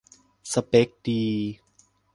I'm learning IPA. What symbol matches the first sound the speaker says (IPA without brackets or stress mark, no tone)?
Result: s